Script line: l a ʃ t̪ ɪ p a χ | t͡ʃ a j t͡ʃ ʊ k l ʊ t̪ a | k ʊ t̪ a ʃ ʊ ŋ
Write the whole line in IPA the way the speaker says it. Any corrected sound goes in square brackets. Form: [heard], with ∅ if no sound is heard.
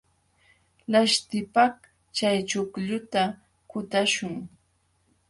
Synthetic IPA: l a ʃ t̪ ɪ p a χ | t͡ʃ a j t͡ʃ ʊ k [ʎ] ʊ t̪ a | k ʊ t̪ a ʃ ʊ ŋ